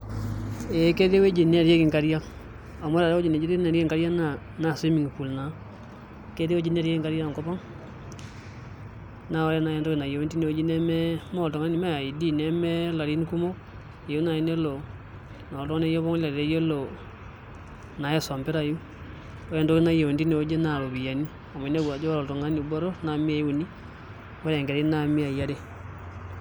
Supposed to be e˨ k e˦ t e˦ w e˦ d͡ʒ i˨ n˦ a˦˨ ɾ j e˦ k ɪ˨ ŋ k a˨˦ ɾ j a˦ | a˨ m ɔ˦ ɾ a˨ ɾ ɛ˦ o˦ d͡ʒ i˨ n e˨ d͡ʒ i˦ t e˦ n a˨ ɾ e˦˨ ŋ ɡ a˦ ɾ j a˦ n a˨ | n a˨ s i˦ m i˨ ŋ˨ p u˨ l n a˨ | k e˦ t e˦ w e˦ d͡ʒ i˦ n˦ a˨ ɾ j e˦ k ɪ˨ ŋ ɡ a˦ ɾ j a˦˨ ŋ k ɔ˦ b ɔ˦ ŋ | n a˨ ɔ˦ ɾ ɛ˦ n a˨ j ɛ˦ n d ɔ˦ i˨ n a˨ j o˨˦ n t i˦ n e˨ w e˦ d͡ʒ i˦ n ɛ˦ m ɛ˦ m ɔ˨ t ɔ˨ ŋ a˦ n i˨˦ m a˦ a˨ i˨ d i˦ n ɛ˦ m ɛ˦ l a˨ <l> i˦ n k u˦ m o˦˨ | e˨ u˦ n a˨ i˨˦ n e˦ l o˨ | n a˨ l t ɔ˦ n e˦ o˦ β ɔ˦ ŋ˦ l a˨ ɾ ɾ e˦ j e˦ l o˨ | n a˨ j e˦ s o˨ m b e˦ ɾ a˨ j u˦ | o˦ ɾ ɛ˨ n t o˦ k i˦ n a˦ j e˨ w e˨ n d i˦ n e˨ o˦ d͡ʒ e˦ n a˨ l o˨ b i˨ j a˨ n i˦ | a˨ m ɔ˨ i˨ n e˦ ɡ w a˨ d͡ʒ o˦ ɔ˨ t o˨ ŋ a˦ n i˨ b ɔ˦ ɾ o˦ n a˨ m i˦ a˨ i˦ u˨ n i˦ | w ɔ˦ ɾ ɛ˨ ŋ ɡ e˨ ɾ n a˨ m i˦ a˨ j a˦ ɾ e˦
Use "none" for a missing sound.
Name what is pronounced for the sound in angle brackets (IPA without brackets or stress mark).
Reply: ɾ